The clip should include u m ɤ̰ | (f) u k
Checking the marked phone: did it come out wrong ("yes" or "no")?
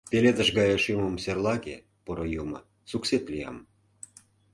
yes